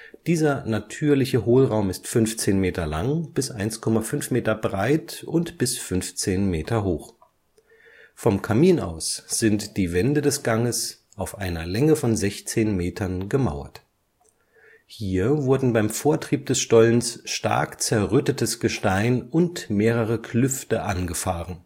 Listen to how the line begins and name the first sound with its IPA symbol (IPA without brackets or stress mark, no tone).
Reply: d̥